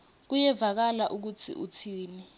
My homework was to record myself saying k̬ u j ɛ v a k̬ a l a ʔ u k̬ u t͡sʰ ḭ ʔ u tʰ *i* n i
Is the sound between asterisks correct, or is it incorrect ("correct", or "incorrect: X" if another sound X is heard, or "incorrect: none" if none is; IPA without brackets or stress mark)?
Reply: incorrect: iː